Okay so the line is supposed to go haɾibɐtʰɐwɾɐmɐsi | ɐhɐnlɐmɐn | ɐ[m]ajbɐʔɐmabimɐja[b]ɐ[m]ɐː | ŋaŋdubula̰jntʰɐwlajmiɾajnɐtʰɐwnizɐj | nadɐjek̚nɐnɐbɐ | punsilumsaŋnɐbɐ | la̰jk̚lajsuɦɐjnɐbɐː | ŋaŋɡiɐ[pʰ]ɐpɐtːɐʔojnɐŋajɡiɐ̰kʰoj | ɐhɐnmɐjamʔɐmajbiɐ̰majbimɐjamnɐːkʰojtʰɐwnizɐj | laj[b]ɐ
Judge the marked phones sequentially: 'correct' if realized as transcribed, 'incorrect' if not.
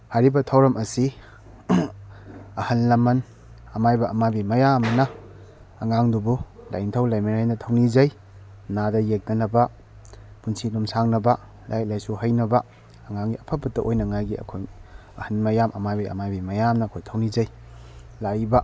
correct, incorrect: m, incorrect: n, correct, correct

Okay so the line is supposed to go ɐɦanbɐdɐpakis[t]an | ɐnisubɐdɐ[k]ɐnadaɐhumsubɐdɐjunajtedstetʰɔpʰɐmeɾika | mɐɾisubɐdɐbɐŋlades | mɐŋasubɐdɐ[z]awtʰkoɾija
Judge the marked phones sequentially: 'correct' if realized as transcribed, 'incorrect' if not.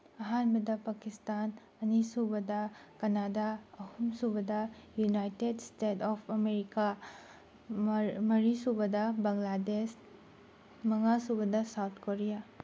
correct, correct, incorrect: s

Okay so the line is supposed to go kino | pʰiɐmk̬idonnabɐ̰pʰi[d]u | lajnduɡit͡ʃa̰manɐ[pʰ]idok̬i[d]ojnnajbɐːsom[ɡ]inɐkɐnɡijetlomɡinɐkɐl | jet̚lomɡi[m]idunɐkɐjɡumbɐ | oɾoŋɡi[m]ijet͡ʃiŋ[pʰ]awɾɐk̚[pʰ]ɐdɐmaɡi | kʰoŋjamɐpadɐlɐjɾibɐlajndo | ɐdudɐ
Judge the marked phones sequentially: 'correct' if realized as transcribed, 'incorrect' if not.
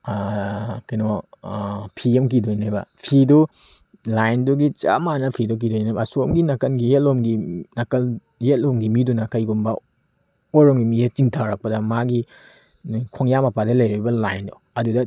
correct, correct, correct, correct, correct, correct, incorrect: tʰ, incorrect: p

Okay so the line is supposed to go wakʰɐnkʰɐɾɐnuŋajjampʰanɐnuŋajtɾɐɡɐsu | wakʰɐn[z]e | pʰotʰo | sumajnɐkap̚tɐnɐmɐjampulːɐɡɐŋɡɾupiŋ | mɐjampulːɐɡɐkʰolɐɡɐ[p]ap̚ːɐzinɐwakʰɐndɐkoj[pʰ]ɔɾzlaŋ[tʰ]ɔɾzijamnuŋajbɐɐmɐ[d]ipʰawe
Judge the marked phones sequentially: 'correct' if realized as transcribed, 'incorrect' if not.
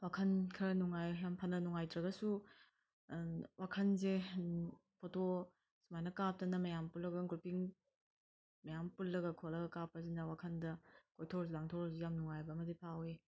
correct, incorrect: k, incorrect: tʰ, correct, correct

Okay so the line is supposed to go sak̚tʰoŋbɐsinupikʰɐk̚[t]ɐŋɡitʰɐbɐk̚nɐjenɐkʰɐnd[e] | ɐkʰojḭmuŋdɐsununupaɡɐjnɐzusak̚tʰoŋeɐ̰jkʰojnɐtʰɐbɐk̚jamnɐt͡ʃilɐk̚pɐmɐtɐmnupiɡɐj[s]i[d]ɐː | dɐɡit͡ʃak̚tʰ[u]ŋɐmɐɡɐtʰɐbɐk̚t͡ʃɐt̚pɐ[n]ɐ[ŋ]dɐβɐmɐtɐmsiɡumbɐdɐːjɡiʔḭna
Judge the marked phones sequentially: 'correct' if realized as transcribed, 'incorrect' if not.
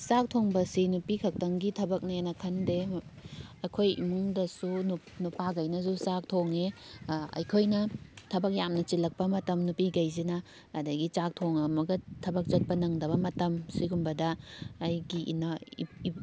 correct, correct, incorrect: z, incorrect: n, incorrect: o, correct, correct

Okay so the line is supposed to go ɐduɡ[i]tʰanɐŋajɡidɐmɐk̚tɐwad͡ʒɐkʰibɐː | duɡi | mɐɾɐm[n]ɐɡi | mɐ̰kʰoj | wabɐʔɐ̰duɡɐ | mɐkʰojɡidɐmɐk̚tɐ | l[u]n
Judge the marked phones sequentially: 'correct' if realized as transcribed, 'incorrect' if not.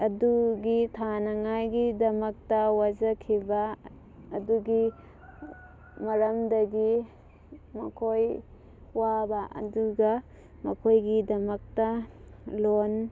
correct, incorrect: d, incorrect: o

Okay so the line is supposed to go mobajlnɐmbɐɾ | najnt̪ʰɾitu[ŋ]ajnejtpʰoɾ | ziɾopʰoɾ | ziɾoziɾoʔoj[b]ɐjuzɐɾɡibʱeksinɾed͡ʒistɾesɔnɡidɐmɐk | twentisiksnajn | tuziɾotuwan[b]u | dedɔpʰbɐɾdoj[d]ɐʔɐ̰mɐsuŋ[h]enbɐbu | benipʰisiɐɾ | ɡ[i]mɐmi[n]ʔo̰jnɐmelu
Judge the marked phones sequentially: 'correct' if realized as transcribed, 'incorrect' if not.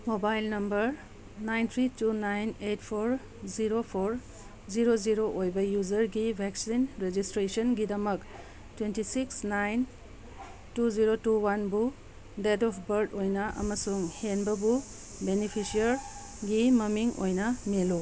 incorrect: n, correct, correct, incorrect: n, correct, correct, incorrect: ŋ

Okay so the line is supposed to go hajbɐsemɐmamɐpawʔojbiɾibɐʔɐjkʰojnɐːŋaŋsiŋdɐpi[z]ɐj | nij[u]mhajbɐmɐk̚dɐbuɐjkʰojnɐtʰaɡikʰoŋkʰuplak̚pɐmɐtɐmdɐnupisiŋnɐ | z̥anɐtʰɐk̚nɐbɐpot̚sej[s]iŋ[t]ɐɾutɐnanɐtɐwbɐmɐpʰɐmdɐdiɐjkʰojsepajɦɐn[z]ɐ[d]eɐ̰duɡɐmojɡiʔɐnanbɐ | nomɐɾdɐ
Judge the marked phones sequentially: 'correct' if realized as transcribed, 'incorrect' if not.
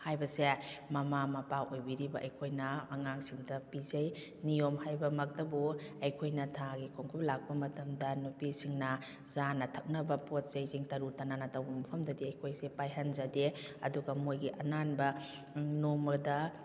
correct, incorrect: o, incorrect: z, correct, correct, correct

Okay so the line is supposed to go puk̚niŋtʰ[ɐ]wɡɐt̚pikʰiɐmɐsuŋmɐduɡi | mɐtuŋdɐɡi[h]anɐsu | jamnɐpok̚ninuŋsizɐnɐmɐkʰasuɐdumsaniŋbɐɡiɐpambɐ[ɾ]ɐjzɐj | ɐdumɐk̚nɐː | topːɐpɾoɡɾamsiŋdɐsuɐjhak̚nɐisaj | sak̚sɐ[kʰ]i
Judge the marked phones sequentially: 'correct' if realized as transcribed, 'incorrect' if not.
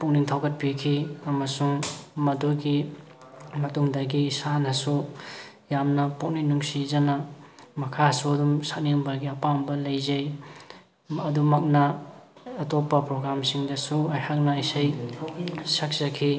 incorrect: a, incorrect: s, incorrect: l, correct

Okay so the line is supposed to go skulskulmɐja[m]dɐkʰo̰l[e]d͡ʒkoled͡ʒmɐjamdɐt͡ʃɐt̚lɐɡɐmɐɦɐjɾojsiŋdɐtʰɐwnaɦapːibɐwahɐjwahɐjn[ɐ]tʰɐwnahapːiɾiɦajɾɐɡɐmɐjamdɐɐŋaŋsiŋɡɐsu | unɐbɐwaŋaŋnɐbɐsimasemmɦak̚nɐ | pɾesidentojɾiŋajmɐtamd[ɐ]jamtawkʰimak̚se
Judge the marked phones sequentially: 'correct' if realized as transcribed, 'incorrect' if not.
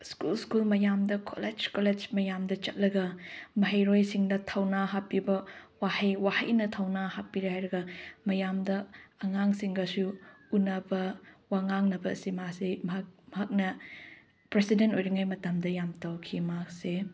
correct, correct, correct, correct

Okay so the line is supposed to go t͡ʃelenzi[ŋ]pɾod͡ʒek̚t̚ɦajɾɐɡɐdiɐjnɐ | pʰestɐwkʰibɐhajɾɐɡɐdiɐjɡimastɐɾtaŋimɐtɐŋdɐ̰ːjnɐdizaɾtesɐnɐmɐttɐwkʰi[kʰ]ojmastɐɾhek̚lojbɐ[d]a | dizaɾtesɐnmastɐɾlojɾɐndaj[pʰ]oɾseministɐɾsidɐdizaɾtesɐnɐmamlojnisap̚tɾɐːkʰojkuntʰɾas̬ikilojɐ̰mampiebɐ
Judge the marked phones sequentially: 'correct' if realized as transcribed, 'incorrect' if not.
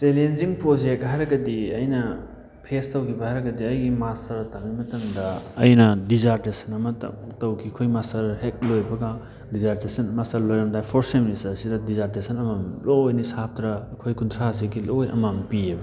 correct, correct, incorrect: ɡ, correct

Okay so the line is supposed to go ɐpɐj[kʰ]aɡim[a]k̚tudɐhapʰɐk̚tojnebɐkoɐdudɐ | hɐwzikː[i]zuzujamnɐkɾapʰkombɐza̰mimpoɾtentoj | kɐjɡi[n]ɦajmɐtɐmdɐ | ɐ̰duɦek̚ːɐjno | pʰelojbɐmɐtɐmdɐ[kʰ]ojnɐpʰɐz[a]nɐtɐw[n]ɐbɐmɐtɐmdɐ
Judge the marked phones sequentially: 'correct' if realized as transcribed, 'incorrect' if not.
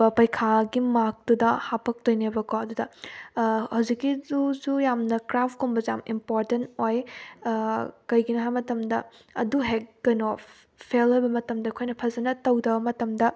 correct, correct, correct, correct, correct, incorrect: ɐ, incorrect: d

